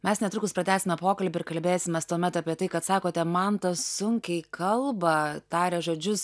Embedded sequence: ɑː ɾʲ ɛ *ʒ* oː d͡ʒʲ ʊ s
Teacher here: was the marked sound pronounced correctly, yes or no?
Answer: yes